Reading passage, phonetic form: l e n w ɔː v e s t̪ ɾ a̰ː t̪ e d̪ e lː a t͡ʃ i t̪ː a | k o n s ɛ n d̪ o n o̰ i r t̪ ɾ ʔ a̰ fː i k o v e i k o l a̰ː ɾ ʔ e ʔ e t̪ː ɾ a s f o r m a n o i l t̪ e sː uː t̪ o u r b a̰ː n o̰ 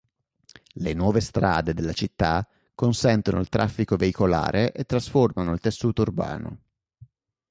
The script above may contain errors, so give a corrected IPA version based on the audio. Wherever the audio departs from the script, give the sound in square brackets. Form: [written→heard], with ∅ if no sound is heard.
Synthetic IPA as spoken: l e n w ɔː v e s t̪ ɾ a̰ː [t̪→d̪] e d̪ e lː a t͡ʃ i t̪ː a | k o n s ɛ n [d̪→t̪] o n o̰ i [r→l] t̪ ɾ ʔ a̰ fː i k o v e i k o l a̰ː ɾ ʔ e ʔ e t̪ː ɾ a s f o r m a n o i l t̪ e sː uː t̪ o u r b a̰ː n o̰